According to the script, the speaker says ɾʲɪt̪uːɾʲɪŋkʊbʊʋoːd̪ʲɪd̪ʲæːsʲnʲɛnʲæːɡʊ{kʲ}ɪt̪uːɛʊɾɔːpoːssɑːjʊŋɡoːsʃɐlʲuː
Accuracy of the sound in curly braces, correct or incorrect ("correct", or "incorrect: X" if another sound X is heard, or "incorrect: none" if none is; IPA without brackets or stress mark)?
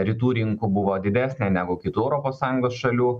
correct